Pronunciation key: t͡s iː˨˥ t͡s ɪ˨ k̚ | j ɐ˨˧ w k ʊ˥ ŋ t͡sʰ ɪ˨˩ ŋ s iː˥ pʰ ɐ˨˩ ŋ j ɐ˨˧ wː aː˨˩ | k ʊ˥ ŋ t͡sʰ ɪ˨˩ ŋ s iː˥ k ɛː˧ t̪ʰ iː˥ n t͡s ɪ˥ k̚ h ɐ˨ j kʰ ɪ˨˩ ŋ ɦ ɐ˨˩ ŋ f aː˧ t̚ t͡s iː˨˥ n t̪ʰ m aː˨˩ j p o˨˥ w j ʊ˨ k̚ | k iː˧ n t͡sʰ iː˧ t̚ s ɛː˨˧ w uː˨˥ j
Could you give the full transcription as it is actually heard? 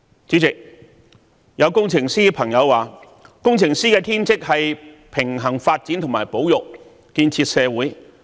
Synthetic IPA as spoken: t͡s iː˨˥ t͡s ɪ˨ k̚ | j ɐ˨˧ w k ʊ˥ ŋ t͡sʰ ɪ˨˩ ŋ s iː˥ pʰ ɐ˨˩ ŋ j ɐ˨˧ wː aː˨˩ | k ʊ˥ ŋ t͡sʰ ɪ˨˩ ŋ s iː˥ k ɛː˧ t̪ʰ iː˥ n t͡s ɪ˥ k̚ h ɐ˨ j pʰ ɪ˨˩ ŋ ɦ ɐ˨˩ ŋ f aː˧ t̚ t͡s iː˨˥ n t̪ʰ m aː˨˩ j p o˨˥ w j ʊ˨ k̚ | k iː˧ n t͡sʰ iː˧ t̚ s ɛː˨˧ w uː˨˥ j